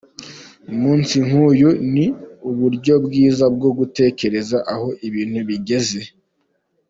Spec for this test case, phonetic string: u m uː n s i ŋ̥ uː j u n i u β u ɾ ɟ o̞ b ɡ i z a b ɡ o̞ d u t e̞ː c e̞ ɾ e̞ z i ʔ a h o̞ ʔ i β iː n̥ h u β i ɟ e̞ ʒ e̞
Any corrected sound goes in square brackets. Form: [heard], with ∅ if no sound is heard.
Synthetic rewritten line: u m uː n s i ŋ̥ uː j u n i u β u ɾ ɟ o̞ b ɡ [iː] z a b ɡ o̞ [ɡ] u t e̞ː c e̞ ɾ e̞ z [a] ʔ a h o̞ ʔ i β iː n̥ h u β i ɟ e̞ [z] e̞